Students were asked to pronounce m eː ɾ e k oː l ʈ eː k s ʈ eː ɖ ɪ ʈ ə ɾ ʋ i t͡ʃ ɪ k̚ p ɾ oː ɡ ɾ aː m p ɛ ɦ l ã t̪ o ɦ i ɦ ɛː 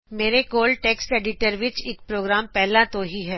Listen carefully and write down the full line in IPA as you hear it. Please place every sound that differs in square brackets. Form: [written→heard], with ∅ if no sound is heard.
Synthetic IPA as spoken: m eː ɾ e k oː l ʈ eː k s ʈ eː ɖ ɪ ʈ ə ɾ ʋ [i→ɪ] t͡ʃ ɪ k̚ p ɾ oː ɡ ɾ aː m p ɛ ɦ l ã t̪ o ɦ i ɦ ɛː